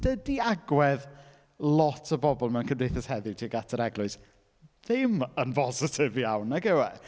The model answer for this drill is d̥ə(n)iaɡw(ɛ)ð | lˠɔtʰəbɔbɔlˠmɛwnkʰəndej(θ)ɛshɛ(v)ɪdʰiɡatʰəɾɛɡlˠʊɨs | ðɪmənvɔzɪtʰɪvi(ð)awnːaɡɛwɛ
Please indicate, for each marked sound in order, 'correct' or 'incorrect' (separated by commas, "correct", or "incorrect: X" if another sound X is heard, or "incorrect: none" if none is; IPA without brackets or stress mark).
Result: incorrect: d, correct, correct, incorrect: ð, incorrect: none